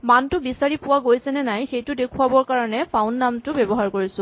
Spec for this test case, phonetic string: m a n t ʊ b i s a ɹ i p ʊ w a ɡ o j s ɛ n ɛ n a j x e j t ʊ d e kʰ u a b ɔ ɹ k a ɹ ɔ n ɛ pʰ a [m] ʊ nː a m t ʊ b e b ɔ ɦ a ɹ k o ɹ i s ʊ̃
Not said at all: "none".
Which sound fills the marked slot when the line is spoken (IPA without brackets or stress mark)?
none